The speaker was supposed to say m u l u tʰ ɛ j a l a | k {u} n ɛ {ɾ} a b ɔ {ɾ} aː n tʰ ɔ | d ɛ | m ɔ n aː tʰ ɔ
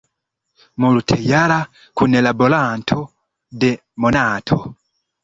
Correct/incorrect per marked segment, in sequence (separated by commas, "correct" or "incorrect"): correct, incorrect, incorrect